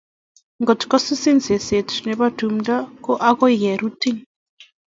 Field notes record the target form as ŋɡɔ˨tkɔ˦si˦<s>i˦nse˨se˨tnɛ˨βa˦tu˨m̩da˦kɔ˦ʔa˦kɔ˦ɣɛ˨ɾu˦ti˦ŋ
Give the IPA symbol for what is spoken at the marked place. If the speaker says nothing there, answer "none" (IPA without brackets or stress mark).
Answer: s